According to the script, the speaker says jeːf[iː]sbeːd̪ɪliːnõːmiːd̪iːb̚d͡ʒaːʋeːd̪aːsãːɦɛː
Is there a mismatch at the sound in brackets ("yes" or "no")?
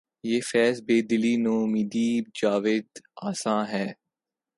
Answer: yes